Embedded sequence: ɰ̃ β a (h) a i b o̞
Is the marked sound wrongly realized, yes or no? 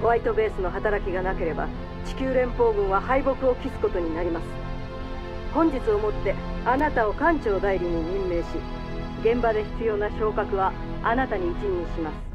no